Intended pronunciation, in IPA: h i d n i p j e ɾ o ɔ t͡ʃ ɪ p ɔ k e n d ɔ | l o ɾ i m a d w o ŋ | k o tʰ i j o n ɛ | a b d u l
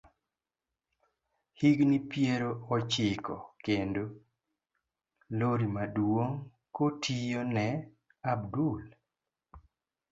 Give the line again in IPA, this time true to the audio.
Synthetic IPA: h i ɡ n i p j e ɾ o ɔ t͡ʃ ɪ k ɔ k e n d o | l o ɾ i m a d w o ŋ | k o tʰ i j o n ɛ | a b d u l